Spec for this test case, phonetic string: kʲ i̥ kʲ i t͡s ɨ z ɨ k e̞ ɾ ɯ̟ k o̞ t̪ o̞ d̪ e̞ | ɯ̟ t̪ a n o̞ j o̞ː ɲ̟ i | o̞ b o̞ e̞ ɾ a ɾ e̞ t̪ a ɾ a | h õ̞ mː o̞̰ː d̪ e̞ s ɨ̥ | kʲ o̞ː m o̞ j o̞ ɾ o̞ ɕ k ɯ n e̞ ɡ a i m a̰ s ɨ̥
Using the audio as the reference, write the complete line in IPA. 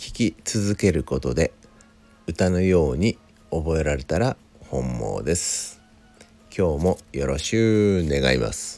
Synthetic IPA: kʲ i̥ kʲ i t͡s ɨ z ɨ k e̞ ɾ ɯ̟ k o̞ t̪ o̞ d̪ e̞ | ɯ̟ t̪ a n o̞ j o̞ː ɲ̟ i | o̞ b o̞ e̞ ɾ a ɾ e̞ t̪ a ɾ a | h õ̞ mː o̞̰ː d̪ e̞ s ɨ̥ | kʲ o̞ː m o̞ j o̞ ɾ o̞ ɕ k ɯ n e̞ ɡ a i m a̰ s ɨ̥